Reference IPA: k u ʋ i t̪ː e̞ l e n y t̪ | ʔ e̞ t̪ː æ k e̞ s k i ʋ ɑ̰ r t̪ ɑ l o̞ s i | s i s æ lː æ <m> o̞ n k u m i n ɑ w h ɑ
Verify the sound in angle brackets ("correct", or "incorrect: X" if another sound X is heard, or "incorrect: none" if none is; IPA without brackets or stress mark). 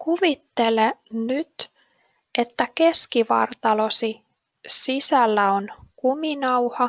incorrect: none